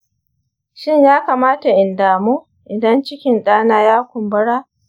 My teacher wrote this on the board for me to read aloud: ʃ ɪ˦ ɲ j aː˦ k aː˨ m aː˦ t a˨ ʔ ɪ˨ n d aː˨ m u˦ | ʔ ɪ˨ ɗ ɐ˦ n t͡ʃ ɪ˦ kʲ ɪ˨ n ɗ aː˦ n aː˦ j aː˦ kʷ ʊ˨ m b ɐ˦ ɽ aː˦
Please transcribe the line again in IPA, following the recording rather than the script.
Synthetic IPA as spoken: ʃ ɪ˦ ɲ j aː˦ k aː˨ m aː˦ t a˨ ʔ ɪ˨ n d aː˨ m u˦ | ʔ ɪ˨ d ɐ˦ n t͡ʃ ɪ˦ kʲ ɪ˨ n ɗ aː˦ n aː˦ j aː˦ kʷ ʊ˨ m b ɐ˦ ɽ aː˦